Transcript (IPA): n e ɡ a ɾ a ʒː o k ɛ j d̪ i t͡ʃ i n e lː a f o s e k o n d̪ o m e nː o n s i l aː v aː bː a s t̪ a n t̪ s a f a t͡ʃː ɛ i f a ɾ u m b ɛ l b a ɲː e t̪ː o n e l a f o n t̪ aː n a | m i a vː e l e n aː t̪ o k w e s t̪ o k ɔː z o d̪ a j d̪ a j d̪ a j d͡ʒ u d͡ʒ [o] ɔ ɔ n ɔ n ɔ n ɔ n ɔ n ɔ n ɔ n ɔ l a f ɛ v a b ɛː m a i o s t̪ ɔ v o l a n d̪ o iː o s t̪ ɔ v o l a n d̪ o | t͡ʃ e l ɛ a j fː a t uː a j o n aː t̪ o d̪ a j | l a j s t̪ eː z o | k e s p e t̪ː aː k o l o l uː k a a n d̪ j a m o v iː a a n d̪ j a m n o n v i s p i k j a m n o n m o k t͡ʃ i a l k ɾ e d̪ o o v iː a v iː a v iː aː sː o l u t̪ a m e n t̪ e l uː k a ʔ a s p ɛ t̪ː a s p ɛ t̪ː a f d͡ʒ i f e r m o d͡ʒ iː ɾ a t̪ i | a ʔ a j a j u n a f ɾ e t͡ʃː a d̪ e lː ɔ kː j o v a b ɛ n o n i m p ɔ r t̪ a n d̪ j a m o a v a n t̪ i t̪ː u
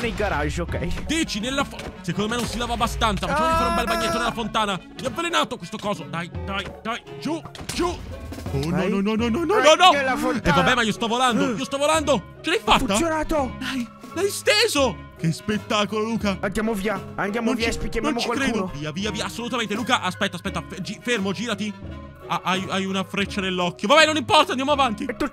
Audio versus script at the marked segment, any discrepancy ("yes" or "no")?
yes